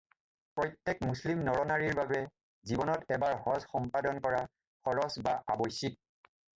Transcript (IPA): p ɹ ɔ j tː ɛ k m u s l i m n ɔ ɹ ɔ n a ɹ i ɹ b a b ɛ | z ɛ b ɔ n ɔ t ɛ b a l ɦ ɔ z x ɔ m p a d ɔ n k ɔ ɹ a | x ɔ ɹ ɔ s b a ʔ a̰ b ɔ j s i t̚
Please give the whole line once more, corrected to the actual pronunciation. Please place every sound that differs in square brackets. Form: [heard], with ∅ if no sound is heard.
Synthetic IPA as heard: p ɹ ɔ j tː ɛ k m u s l i m n ɔ ɹ ɔ n a ɹ i ɹ b a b ɛ | z [i] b ɔ n ɔ t ɛ b a [ɹ] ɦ ɔ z x ɔ m p a d ɔ n k ɔ ɹ a | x ɔ ɹ ɔ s b a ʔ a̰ b ɔ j s i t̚

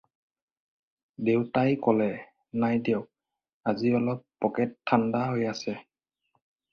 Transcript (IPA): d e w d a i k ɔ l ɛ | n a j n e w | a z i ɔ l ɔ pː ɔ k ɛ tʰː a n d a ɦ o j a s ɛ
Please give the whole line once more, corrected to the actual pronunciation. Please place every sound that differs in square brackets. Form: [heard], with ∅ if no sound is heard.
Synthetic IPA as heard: d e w [t] a [j] k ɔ l ɛ | n a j [d] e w | a z i ɔ l ɔ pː ɔ k ɛ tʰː a n d a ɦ o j a s ɛ

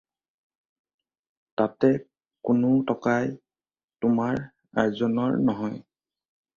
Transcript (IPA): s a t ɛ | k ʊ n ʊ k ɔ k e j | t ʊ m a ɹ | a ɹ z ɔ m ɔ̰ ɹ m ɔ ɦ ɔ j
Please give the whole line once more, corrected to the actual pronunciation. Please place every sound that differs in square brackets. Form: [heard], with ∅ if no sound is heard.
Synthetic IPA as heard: [t] a t ɛ | k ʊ n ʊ [t] ɔ k [a] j | t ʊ m a ɹ | a ɹ z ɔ [n] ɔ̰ ɹ [n] ɔ ɦ ɔ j

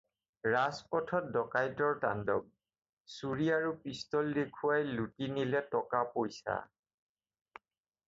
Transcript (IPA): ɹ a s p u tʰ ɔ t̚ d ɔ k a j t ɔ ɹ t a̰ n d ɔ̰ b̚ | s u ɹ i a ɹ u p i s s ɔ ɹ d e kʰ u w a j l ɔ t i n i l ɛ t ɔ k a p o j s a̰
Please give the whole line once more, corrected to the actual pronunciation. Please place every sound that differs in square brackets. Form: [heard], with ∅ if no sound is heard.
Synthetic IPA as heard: ɹ a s p [ɔ] tʰ ɔ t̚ d ɔ k a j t ɔ ɹ t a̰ n d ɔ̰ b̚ | s u ɹ i a ɹ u p i s [t] ɔ [l] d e kʰ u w a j l [u] t i n i l ɛ t ɔ k a p o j s a̰

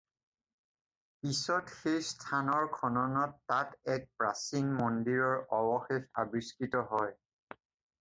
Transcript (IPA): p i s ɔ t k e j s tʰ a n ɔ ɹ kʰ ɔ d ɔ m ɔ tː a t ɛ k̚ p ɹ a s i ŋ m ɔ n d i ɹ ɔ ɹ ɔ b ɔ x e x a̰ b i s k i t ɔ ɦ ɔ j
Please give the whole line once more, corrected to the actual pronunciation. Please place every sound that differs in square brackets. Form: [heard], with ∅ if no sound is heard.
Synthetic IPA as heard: p i s ɔ t [x] e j s tʰ a n ɔ ɹ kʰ ɔ [n] ɔ [n] ɔ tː a t ɛ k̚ p ɹ a s i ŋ m ɔ n d i ɹ ɔ ɹ ɔ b ɔ x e x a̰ b i s k i t ɔ ɦ ɔ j

